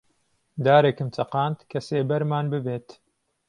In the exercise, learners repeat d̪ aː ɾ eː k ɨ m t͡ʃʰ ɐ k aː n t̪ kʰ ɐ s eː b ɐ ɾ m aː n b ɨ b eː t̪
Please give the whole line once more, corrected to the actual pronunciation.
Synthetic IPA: d̪ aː ɾ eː k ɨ m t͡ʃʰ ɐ q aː n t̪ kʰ ɐ s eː b ɐ ɾ m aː n b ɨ b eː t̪